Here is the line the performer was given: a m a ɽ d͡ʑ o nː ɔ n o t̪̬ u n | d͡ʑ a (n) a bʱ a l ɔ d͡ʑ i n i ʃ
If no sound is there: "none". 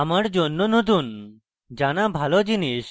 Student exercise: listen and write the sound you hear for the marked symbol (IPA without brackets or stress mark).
n